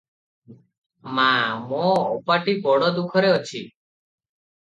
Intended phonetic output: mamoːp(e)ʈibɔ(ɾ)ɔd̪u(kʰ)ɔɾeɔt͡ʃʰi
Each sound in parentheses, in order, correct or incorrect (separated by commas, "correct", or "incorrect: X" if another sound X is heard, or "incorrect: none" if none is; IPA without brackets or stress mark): incorrect: a, incorrect: ɽ, correct